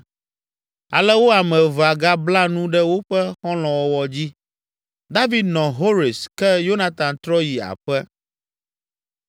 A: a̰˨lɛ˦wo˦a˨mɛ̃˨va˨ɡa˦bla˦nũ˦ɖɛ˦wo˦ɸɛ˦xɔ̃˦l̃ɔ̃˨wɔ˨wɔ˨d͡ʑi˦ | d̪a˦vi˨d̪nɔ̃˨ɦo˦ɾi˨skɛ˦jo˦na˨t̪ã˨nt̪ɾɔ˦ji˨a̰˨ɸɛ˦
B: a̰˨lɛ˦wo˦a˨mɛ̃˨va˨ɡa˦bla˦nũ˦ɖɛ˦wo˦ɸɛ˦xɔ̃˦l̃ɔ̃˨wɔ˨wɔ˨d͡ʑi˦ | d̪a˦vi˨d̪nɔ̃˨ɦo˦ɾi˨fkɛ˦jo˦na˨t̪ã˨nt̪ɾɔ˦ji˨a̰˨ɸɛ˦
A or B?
A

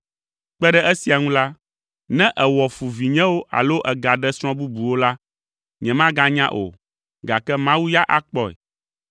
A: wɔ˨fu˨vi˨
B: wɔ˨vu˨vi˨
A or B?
A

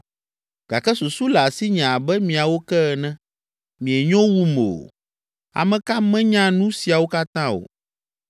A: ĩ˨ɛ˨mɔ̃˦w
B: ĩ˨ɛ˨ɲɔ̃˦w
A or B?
B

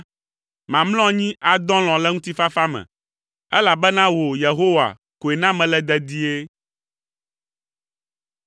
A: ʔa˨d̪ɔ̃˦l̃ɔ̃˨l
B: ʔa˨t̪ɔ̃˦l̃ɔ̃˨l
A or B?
A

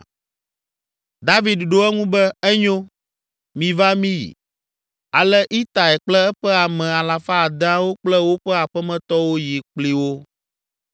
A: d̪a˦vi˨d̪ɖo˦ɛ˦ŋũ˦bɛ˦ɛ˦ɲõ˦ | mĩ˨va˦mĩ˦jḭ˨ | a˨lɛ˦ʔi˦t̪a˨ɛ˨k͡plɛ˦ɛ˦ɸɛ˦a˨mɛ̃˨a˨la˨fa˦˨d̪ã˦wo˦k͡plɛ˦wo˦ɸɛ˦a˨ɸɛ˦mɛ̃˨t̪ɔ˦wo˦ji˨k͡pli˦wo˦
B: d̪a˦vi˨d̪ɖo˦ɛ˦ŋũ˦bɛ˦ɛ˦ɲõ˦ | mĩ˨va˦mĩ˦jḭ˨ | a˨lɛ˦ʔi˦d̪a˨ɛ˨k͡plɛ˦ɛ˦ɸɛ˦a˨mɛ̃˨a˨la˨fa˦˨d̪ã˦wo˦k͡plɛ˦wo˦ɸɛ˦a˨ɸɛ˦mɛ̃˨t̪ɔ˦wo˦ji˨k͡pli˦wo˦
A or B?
A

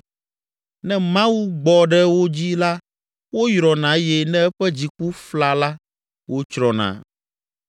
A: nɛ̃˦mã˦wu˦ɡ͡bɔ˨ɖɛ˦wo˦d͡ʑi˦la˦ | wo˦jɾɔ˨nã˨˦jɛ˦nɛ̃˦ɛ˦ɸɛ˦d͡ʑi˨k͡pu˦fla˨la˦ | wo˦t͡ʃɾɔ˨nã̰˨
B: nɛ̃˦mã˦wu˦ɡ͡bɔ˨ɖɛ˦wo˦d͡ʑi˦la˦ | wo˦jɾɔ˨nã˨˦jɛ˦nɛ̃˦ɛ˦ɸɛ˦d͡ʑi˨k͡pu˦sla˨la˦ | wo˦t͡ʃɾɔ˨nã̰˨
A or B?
A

